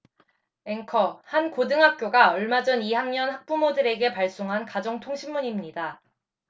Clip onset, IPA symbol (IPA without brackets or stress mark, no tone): e̞